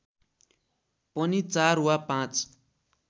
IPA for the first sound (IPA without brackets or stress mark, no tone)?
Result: p